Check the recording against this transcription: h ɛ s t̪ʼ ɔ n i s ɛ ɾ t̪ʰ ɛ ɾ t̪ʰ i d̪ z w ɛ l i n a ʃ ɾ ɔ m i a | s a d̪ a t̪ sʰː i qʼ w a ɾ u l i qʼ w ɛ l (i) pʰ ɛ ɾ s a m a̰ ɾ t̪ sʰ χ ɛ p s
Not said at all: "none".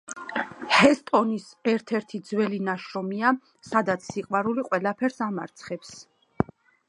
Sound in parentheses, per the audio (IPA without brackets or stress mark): a